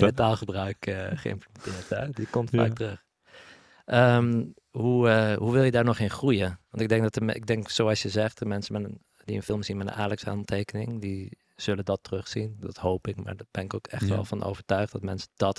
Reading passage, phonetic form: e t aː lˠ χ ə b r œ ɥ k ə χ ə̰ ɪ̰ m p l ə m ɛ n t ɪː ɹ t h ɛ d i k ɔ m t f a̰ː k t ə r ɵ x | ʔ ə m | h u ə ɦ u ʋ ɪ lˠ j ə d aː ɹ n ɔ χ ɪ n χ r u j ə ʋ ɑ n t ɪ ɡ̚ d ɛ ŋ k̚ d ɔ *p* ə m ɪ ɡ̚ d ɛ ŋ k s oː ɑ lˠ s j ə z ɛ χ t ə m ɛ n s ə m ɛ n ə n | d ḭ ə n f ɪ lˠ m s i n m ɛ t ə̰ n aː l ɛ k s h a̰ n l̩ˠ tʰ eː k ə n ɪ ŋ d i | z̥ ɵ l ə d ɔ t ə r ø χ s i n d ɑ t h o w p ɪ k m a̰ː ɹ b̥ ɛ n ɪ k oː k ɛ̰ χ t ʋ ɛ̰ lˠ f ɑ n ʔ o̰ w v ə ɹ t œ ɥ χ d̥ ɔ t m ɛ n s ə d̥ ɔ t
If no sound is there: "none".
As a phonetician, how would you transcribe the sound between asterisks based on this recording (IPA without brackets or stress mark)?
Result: t